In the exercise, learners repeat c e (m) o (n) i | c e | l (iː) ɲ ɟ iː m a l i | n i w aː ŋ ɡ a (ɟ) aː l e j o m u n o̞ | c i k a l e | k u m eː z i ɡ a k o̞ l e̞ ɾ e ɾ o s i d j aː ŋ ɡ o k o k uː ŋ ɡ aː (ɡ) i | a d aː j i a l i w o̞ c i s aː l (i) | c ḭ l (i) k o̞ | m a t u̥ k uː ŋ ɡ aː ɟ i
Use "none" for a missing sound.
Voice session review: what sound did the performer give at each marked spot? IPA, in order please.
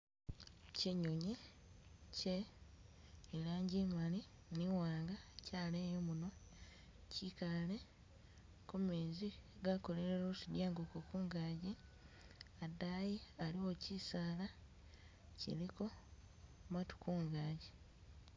ɲ, ɲ, aː, c, ɟ, a, i

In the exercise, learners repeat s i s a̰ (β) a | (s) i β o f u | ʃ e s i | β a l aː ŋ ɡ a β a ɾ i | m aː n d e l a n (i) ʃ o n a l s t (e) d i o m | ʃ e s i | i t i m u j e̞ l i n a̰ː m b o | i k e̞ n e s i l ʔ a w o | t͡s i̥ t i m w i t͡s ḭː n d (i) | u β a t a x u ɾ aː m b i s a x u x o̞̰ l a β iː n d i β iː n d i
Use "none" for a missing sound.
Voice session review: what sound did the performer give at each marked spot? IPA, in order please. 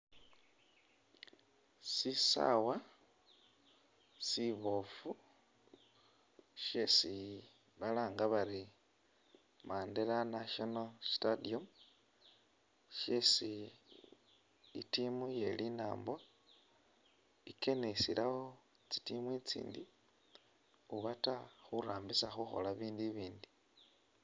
w, s, a, a, i

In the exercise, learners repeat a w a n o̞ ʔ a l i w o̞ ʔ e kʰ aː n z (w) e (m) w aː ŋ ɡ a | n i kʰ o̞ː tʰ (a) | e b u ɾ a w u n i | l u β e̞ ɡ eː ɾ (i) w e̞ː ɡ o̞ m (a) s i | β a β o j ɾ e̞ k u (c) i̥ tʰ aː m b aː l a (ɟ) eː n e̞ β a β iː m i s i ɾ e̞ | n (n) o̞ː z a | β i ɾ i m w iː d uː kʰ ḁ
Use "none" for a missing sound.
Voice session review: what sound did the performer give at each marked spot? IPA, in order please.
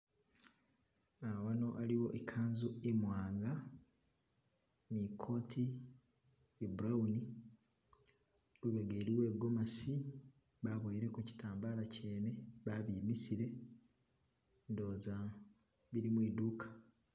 u, m, i, i, a, c, c, d

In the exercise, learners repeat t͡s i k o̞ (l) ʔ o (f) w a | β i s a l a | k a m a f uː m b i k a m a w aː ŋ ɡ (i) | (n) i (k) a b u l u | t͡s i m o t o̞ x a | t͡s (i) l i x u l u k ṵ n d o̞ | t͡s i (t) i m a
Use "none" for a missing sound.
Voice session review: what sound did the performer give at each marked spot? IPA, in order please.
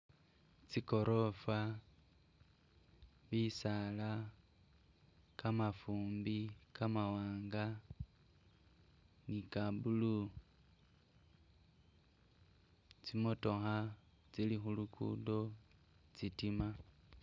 ɾ, f, a, n, k, i, t

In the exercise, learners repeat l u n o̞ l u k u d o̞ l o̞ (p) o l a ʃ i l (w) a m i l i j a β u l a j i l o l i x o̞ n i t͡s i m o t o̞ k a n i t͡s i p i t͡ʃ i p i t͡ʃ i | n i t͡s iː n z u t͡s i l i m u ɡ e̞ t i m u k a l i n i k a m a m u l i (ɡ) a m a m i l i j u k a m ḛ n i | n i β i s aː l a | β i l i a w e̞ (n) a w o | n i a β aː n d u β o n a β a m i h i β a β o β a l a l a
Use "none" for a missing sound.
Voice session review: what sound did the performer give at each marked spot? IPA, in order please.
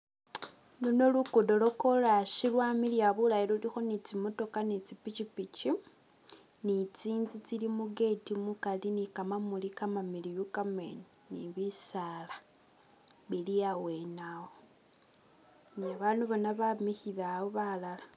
k, w, k, n

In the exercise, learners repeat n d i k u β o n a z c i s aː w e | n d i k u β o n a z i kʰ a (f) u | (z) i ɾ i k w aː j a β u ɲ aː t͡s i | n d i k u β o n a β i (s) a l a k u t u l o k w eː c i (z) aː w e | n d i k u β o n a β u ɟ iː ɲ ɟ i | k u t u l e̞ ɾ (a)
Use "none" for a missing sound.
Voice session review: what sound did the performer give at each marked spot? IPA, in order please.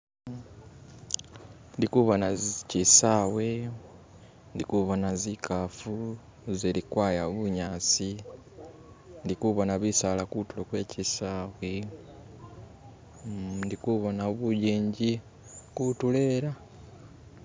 f, z, s, s, a

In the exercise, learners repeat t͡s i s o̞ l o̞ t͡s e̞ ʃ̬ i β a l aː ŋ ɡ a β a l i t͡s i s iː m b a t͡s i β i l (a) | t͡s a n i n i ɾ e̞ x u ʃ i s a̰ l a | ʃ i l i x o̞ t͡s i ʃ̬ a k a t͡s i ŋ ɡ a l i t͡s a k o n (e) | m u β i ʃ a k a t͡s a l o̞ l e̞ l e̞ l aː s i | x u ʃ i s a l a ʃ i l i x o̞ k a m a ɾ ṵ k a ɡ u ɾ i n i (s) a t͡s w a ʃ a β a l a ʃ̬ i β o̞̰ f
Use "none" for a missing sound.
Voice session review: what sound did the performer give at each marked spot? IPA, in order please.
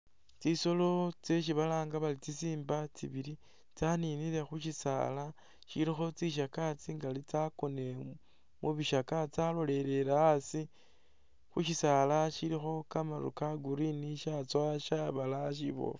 i, e, ʃ

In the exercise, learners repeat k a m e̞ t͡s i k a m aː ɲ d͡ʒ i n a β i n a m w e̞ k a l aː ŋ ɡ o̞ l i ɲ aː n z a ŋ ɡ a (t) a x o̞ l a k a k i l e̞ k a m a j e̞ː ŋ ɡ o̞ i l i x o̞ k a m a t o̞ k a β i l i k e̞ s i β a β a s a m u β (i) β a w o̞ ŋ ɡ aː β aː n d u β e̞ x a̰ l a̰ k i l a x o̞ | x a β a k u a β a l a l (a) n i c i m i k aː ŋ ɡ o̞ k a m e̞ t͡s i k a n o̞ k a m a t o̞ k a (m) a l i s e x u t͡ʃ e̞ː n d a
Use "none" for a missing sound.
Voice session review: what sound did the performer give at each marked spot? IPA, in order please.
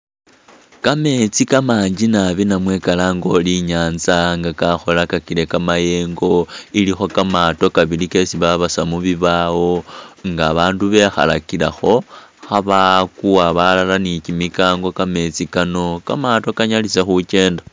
k, i, a, ɲ

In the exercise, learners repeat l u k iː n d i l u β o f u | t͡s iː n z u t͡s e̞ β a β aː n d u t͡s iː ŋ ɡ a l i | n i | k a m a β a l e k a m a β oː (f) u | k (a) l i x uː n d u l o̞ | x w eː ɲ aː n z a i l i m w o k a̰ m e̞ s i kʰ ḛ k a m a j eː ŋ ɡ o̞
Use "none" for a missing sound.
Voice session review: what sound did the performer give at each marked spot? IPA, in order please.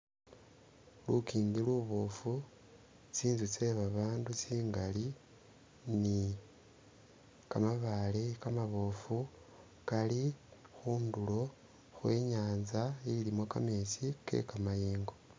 f, a

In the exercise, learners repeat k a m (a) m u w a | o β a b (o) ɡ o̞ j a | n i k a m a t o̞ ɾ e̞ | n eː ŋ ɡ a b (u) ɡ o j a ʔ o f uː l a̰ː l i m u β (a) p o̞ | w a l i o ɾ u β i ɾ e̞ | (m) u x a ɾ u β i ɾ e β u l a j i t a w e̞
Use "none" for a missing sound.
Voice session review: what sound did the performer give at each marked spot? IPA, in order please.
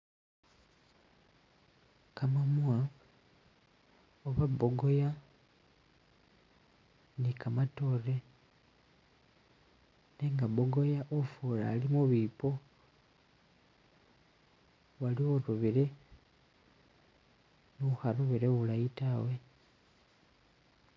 a, o, o, i, n

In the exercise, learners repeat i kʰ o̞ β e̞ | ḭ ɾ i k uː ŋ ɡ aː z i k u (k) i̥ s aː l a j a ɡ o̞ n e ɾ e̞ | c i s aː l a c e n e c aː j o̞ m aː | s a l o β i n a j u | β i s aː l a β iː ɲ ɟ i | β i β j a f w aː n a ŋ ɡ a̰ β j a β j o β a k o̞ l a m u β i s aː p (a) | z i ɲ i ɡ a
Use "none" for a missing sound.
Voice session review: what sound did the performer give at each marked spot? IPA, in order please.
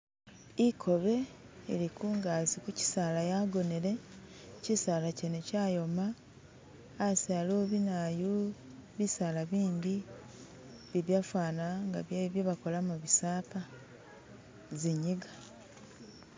c, a

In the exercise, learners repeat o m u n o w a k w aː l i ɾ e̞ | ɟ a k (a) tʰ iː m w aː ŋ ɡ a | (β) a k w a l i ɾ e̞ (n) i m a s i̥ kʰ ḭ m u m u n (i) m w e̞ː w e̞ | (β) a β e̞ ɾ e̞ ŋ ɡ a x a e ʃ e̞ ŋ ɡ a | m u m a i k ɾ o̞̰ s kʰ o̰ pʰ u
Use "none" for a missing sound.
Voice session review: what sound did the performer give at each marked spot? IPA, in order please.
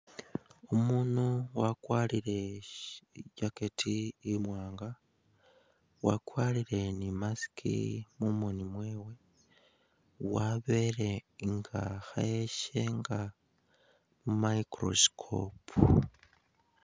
e, w, n, i, w

